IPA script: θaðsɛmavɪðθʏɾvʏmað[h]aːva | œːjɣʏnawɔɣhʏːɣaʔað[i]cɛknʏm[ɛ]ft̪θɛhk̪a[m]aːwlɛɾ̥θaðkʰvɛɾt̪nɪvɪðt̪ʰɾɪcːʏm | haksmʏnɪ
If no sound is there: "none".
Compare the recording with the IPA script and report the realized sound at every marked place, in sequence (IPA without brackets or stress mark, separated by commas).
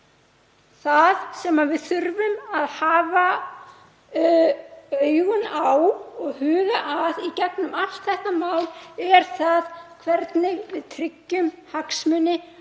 h, i, a, m